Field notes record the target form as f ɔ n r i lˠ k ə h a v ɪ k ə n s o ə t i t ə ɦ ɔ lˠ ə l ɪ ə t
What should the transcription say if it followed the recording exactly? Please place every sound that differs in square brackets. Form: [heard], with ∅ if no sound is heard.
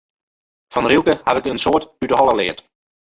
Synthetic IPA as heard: f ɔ n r i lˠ k ə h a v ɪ k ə n s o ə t [y] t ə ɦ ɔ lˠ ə l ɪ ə t